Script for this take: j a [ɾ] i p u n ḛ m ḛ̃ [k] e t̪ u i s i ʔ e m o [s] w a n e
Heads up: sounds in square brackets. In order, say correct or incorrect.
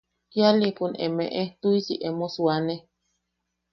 incorrect: l, incorrect: ʔ, correct

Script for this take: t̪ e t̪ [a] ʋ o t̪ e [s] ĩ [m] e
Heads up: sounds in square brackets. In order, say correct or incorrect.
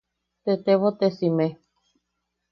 incorrect: e, correct, correct

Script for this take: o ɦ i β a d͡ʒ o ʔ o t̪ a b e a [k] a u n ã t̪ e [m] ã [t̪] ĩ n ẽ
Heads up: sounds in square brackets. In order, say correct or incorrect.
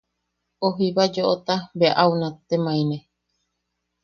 incorrect: ʔ, correct, incorrect: none

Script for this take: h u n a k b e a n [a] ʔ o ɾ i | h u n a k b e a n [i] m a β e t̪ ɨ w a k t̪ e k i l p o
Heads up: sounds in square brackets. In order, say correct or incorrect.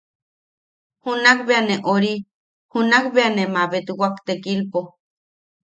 incorrect: e, incorrect: e

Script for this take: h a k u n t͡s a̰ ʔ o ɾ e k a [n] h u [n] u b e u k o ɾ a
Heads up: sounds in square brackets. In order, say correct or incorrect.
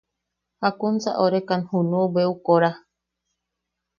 correct, correct

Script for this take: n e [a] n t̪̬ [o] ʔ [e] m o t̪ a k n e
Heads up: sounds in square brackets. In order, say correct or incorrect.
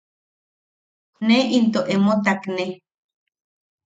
incorrect: i, correct, correct

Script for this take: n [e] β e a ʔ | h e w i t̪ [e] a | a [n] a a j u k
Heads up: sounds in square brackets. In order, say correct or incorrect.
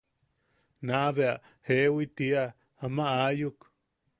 incorrect: a, incorrect: i, incorrect: m

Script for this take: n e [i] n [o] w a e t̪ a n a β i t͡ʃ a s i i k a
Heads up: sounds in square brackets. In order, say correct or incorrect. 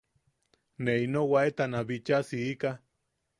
correct, correct

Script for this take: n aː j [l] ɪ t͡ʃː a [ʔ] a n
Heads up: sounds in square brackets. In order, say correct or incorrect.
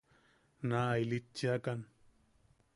correct, incorrect: k

